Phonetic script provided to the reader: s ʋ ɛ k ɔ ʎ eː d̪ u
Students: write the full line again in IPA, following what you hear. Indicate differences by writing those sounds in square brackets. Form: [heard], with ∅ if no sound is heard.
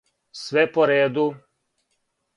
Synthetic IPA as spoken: s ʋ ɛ [p] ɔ [ɾ] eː d̪ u